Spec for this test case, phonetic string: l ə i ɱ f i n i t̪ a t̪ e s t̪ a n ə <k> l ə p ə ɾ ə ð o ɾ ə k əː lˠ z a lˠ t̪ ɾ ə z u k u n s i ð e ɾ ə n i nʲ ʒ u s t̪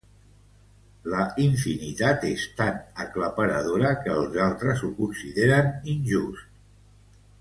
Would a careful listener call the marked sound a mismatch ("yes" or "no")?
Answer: no